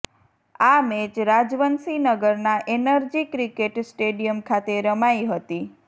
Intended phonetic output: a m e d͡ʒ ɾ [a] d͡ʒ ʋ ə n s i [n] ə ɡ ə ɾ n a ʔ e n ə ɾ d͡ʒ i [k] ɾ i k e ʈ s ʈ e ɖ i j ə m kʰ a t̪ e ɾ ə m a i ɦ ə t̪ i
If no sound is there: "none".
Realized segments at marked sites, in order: a, n, k

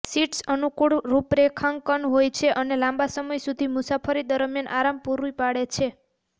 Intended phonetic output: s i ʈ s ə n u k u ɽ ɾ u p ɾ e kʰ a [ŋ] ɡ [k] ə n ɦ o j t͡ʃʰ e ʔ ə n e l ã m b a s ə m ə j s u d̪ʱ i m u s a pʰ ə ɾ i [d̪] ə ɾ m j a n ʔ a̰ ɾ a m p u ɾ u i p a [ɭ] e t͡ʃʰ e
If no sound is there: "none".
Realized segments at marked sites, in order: ŋ, k, d̪, ɽ

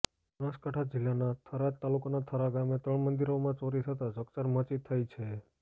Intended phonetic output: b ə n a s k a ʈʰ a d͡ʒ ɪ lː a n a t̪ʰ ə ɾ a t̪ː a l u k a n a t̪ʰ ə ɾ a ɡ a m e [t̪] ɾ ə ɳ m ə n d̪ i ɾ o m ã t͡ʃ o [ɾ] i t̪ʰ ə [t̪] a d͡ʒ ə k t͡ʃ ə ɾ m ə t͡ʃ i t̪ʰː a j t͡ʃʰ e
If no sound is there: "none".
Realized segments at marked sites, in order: t̪, ɾ, t̪

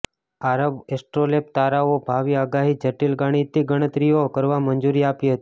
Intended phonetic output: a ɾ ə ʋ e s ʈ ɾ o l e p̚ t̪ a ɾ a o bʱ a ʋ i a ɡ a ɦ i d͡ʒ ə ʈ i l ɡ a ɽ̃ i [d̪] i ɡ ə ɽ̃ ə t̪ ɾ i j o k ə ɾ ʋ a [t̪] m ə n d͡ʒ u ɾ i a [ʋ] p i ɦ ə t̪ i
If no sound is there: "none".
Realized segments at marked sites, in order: t̪, none, none

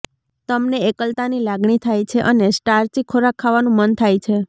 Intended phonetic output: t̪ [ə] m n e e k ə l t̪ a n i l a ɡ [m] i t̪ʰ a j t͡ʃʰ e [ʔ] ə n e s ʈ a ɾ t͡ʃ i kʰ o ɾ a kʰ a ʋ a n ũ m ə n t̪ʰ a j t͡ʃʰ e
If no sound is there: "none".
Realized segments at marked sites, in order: ə, ɳ, ʔ

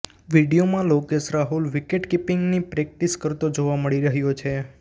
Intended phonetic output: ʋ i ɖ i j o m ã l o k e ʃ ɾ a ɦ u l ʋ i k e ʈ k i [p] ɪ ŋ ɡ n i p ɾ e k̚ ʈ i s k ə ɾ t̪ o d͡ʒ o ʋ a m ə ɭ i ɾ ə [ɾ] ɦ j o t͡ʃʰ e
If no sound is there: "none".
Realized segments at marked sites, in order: p, none

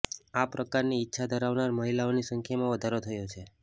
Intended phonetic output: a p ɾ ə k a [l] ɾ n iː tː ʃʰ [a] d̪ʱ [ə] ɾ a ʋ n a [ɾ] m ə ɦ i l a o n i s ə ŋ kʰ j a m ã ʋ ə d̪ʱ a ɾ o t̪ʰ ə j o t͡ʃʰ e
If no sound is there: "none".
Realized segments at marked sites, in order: none, a, ə, ɾ

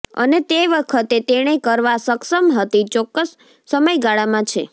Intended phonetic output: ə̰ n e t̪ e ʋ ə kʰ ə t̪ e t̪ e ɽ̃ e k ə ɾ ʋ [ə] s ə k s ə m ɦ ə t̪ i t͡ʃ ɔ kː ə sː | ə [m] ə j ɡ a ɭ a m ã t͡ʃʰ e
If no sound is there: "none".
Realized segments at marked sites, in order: a, m

